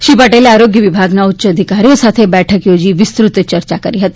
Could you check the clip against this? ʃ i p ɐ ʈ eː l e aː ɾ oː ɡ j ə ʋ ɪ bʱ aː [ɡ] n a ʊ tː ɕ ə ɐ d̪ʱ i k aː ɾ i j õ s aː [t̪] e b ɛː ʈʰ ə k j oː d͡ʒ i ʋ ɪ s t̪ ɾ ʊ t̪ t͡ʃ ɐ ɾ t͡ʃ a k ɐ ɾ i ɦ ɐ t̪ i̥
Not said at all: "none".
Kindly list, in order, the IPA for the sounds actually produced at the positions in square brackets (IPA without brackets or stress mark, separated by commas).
ɡ, t̪ʰ